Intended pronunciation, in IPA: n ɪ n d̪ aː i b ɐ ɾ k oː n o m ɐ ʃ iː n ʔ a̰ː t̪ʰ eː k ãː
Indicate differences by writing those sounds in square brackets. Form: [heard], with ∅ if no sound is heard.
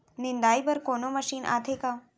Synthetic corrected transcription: n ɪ n d̪ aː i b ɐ ɾ k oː n o m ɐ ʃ iː n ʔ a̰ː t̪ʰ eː k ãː